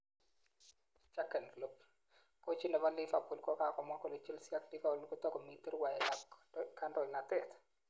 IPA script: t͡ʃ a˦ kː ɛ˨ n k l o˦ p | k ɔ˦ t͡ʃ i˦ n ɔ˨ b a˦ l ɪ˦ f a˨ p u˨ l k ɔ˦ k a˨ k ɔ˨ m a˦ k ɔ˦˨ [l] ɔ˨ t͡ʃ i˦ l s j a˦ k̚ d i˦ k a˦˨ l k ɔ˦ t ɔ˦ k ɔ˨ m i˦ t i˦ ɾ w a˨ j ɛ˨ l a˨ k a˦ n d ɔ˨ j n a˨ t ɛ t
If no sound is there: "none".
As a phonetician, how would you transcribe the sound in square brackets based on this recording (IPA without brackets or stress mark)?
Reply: l